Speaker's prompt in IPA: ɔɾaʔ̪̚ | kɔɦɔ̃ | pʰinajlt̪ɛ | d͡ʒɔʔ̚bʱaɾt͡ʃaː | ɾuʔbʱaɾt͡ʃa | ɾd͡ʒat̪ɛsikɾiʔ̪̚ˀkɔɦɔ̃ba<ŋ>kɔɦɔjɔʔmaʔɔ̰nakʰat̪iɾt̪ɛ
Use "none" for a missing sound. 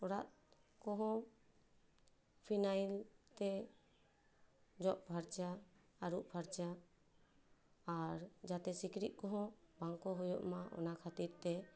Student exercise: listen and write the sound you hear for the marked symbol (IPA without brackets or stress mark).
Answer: ŋ